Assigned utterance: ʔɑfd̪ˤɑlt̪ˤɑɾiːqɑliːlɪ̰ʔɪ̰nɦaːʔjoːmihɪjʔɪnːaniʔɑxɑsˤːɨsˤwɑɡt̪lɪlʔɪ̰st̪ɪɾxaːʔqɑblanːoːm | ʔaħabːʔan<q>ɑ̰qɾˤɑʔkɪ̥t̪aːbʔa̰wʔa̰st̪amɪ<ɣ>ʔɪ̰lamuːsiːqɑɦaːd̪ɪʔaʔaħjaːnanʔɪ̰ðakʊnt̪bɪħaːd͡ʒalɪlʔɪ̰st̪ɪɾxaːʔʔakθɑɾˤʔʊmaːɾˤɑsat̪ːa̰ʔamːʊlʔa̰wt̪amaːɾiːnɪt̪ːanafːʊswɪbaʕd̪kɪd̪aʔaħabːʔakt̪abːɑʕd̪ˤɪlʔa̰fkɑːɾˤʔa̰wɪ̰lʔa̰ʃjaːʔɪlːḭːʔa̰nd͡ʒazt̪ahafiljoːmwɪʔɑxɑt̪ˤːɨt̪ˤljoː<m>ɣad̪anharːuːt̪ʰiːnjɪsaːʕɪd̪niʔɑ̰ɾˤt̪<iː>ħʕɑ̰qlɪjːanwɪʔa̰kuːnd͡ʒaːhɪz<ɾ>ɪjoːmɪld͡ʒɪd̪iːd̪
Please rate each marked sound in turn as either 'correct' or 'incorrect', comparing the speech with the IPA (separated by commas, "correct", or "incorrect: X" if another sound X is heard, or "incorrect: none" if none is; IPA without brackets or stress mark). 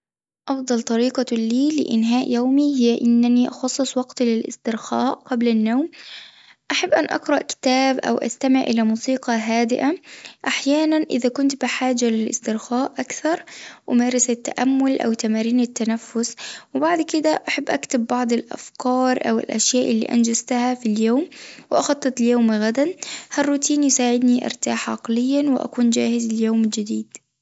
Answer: incorrect: ʔ, incorrect: ʕ, correct, incorrect: aː, incorrect: l